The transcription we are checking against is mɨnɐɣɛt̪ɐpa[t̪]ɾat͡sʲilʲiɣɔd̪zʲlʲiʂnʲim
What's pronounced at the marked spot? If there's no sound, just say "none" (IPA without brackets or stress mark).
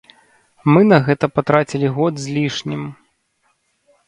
t̪